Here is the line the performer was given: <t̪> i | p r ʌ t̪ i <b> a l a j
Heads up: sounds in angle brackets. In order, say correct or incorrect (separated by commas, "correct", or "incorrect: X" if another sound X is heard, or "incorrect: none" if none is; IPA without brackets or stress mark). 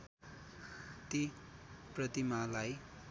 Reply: correct, incorrect: m